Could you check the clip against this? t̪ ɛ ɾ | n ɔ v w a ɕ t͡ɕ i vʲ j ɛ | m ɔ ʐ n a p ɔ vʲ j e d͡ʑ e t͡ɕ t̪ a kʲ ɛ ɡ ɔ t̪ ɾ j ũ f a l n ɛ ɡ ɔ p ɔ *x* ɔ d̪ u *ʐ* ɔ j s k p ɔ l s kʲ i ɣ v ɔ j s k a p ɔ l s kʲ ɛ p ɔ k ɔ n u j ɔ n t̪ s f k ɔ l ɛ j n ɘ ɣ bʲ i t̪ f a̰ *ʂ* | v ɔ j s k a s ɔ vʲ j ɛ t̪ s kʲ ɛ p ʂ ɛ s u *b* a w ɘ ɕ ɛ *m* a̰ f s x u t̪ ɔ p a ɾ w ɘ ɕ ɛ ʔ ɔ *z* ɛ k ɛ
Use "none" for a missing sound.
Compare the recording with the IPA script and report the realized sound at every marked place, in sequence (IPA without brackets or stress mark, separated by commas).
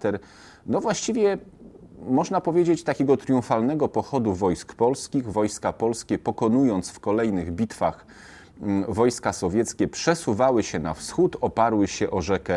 x, v, x, v, n, ʐ